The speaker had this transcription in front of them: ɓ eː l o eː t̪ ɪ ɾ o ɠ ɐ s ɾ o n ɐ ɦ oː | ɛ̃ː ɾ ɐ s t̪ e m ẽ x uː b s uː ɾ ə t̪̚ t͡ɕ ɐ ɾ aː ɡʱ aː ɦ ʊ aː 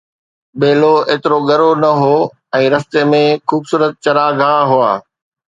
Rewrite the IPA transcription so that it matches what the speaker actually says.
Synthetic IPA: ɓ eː l o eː t̪ ɪ ɾ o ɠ ɐ ɾ o n ɐ ɦ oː | ɛ̃ː ɾ ɐ s t̪ e m ẽ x uː b s uː ɾ ə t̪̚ t͡ɕ ɐ ɾ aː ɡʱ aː ɦ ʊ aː

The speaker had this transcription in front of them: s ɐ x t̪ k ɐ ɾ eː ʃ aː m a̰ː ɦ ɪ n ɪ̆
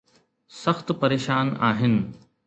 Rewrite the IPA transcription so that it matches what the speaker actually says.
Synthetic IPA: s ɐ x t̪ p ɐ ɾ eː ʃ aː n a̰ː ɦ ɪ n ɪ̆

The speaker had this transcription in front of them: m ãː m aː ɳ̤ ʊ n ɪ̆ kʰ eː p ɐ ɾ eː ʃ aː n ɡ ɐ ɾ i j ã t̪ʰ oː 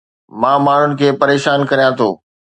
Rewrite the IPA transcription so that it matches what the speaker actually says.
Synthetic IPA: m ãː m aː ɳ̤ ʊ n ɪ̆ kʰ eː p ɐ ɾ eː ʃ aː n k ɐ ɾ i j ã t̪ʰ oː

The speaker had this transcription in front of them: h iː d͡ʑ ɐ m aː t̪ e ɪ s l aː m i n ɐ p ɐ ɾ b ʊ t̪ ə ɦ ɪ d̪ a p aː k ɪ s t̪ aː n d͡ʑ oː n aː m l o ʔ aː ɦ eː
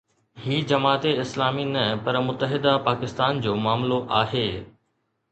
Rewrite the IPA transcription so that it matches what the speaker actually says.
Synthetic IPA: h iː d͡ʑ ɐ m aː t̪ e ɪ s l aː m i n ɐ p ɐ ɾ m ʊ t̪ ə ɦ ɪ d̪ a p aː k ɪ s t̪ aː n d͡ʑ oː m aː m l o ʔ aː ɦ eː

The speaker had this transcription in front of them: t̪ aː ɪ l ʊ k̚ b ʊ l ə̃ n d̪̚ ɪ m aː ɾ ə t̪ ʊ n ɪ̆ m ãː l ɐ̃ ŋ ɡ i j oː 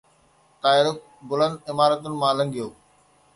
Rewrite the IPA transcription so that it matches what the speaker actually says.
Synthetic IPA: t̪ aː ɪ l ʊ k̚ b ʊ l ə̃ n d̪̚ ɪ m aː ɾ ə t̪ ʊ n ɪ̆ m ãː l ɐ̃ ŋ ɡ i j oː

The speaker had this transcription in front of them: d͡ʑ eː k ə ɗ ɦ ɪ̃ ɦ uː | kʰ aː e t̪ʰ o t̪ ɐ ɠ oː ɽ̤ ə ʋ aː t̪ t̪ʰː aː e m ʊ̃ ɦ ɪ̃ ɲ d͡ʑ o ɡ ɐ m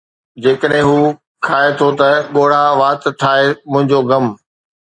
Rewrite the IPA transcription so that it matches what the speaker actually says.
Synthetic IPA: d͡ʑ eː k ə ɗ ɦ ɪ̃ ɦ uː | kʰ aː e t̪ʰ o t̪ ɐ ɠ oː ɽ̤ a ʋ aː t̪ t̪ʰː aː e m ʊ̃ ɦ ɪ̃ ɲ d͡ʑ o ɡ ɐ m

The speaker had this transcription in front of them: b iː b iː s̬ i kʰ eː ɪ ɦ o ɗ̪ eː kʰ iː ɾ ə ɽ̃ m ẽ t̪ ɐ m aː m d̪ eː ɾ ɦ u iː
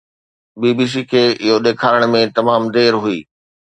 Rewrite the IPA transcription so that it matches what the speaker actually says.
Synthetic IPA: b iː b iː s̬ i kʰ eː ɪ ɦ o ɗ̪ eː kʰ aː ɾ ə ɽ̃ m ẽ t̪ ɐ m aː m d̪ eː ɾ ɦ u iː

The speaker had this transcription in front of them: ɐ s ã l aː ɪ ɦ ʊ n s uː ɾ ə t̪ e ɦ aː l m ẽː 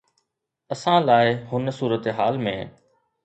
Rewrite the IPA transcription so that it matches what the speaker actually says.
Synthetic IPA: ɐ s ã l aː ɪ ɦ ʊ n s uː ɾ ə t̪ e ɦ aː l m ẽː

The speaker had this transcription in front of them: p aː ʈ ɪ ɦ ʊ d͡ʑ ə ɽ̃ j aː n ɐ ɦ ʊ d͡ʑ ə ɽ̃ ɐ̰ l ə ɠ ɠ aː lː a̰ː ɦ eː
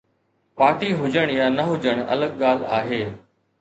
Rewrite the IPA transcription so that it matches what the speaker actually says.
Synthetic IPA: p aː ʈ i ɦ ʊ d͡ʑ ə ɽ̃ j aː n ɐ ɦ ʊ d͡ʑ ə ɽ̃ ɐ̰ l ə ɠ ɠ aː l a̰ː ɦ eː

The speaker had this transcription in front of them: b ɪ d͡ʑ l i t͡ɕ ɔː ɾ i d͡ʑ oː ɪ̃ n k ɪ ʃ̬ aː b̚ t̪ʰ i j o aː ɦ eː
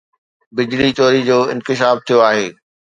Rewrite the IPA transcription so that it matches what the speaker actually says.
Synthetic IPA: b ɪ d͡ʑ l i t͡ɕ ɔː ɾ i d͡ʑ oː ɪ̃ n k ɪ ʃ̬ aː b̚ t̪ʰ i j o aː ɦ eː

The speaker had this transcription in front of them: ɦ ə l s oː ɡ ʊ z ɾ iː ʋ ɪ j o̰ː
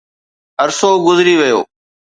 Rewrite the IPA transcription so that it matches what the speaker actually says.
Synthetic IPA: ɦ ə ɾ s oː ɡ ʊ z ɾ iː ʋ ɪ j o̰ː

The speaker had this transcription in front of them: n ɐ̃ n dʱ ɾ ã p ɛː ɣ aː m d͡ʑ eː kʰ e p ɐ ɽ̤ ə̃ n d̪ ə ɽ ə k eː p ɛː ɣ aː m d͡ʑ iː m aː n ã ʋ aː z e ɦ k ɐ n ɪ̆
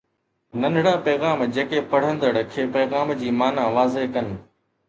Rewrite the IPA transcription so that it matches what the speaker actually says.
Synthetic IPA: n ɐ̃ n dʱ ɽ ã p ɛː ɣ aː m d͡ʑ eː k e p ɐ ɽ̤ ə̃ n d̪ ə ɽ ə kʰ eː p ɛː ɣ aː m d͡ʑ iː m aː n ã ʋ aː z e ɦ k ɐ n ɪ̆

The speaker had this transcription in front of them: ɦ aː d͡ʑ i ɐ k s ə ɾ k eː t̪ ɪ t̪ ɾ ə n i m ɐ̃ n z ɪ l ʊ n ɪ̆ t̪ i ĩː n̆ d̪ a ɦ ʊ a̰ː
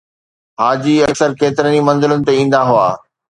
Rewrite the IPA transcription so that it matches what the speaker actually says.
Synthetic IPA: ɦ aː d͡ʑ i ɐ k s ə ɾ k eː t̪ ɪ ɾ ə n i m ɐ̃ n z ɪ l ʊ n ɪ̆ t̪ e ĩː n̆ d̪ a ɦ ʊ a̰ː

